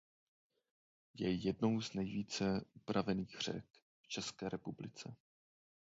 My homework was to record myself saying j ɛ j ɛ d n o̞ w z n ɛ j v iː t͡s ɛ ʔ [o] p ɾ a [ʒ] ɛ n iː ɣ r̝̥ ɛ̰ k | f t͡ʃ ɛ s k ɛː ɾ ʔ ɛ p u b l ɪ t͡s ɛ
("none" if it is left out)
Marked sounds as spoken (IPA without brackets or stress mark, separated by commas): u, v